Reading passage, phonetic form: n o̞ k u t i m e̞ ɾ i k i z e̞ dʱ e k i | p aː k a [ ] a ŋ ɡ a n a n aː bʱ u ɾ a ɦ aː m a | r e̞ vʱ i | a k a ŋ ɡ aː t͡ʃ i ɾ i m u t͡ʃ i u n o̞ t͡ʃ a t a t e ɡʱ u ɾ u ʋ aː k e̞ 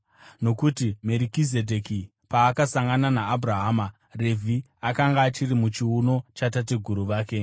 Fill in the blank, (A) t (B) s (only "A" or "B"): B